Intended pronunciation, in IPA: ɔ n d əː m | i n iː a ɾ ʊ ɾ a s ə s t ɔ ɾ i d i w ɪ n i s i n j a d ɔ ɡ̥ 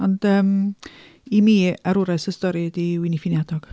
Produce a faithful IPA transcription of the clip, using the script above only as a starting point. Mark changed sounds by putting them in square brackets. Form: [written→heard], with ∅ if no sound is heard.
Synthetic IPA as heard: ɔ n d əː m | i [n→m] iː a ɾ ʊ ɾ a s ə s t ɔ ɾ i d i w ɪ n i [s→f] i n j a d ɔ ɡ̥